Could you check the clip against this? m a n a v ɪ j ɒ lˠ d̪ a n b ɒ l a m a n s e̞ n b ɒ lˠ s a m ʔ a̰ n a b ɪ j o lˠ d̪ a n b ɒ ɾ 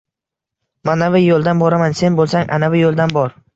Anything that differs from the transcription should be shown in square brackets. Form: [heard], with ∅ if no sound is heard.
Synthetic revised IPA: m a n a v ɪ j [o] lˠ d̪ a n b ɒ [ɾ] a m a n s e̞ n b [o] lˠ s a [ŋ] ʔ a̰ n a [v] ɪ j o lˠ d̪ a n b ɒ ɾ